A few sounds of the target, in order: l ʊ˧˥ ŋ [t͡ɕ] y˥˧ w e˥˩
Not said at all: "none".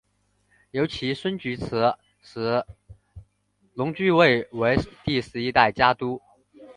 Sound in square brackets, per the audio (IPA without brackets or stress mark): t͡ɕ